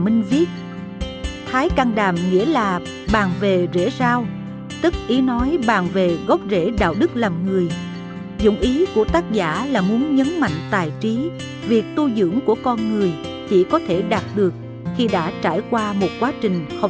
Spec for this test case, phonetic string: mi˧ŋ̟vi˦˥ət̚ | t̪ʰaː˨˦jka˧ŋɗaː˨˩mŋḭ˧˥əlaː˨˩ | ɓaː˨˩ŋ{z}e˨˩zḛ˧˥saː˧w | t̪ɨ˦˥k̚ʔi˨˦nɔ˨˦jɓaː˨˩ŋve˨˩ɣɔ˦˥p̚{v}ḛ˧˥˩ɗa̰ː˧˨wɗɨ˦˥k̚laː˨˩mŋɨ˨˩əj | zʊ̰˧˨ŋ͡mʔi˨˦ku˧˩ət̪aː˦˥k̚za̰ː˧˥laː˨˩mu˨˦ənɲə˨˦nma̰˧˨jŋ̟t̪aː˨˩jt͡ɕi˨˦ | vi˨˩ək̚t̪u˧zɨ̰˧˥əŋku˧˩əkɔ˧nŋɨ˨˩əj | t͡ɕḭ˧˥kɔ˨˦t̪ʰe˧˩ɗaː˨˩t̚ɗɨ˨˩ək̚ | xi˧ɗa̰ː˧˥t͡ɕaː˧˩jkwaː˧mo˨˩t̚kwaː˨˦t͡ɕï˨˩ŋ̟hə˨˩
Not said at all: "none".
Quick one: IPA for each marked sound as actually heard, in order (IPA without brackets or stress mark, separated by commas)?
v, z